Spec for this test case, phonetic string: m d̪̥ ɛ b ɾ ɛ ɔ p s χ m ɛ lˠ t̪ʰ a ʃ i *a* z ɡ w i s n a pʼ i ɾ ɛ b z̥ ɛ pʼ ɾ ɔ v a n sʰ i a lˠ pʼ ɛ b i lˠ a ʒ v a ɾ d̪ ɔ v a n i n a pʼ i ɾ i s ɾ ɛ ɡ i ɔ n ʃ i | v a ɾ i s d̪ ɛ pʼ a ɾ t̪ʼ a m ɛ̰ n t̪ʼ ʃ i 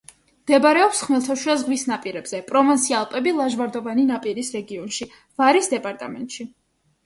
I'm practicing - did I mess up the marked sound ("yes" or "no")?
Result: no